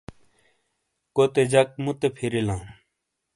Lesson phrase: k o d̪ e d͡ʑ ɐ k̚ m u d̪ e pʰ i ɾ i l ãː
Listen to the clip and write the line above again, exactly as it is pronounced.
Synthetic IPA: k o t̪ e d͡ʑ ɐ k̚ m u t̪ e pʰ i ɾ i l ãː